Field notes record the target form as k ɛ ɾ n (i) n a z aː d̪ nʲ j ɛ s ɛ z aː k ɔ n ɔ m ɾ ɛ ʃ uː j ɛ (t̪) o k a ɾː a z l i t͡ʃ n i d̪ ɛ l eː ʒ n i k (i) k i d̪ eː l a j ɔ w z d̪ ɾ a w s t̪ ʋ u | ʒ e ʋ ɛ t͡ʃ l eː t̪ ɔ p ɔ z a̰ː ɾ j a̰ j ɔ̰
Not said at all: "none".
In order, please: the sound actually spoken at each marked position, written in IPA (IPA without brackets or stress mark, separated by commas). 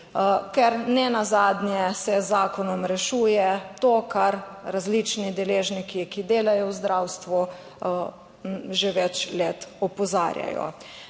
ɛ, t̪, i